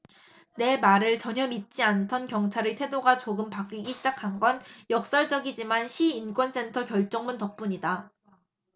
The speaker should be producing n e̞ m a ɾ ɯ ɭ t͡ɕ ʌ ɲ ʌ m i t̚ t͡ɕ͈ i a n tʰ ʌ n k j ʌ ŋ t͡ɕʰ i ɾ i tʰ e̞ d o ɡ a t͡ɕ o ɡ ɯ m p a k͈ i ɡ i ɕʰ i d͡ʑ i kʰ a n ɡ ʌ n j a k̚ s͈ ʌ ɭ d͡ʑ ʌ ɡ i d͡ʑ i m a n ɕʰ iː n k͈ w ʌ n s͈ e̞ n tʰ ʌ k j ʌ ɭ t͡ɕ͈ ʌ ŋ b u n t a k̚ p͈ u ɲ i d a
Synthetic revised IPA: n e̞ m a ɾ ɯ ɭ t͡ɕ ʌ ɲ ʌ m i t̚ t͡ɕ͈ i a n tʰ ʌ n k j ʌ ŋ t͡ɕʰ a ɾ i tʰ e̞ d o ɡ a t͡ɕ o ɡ ɯ m p a k͈ i ɡ i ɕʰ i d͡ʑ a kʰ a n ɡ ʌ n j ʌ k̚ s͈ ʌ ɭ d͡ʑ ʌ ɡ i d͡ʑ i m a n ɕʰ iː n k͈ w ʌ n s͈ e̞ n tʰ ʌ k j ʌ ɭ t͡ɕ͈ ʌ ŋ m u n t ʌ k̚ p͈ u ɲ i d a